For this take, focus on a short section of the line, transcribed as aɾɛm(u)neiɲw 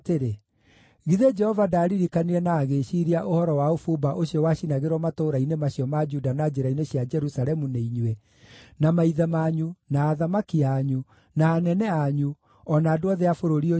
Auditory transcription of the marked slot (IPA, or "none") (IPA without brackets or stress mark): u